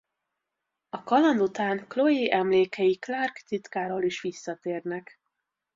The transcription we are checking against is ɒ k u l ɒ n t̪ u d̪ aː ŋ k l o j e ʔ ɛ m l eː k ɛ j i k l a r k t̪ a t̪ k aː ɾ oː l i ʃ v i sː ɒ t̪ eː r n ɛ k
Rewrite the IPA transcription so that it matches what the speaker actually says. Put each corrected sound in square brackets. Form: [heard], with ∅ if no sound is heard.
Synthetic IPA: ɒ k [ɒ] l ɒ n [d̪] u [t̪] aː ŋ k l o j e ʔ ɛ m l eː k ɛ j i k l a r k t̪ [i] t̪ k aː ɾ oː l i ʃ [ʋ] i sː ɒ t̪ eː r n ɛ k